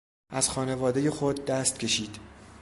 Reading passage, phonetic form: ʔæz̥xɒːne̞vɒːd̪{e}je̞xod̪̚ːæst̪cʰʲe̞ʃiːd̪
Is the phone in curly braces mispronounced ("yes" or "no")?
no